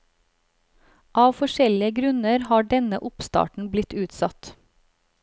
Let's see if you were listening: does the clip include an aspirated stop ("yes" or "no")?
no